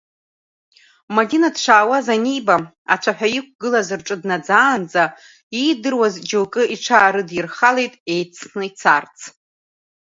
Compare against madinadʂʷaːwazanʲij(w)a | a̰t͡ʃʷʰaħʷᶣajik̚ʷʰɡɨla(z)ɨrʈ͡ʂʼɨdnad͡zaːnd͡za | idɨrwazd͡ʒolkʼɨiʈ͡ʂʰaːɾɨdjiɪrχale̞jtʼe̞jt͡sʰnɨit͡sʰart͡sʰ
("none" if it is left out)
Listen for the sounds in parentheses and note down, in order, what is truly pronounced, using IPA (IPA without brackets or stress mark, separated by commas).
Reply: b, z